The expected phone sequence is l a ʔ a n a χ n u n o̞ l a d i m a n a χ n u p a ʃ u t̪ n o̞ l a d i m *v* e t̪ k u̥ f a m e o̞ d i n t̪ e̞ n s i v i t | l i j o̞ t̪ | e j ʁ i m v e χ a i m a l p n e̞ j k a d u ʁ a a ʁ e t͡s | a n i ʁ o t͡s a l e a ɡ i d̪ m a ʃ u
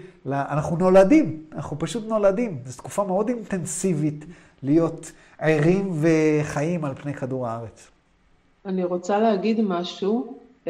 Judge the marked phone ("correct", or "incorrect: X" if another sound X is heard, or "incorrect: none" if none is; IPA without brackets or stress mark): incorrect: z